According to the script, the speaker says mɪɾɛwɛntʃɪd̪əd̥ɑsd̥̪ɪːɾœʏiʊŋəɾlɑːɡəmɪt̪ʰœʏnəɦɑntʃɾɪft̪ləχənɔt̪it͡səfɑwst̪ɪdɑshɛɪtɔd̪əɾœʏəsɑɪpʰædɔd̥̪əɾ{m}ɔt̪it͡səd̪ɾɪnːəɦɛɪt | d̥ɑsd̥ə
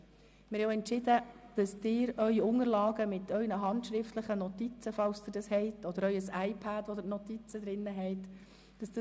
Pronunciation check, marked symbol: incorrect: n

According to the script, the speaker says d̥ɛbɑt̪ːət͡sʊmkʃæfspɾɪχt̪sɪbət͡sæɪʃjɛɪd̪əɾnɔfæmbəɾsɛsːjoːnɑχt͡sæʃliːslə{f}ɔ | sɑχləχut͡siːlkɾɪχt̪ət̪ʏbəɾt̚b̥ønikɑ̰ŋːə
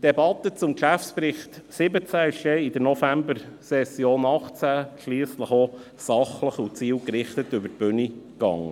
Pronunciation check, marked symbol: incorrect: χ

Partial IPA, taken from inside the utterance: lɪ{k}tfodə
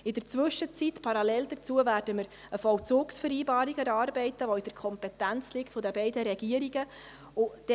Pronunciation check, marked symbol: correct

